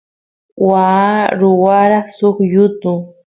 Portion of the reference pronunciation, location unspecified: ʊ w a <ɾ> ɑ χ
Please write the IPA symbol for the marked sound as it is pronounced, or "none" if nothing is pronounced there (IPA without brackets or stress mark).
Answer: ɾ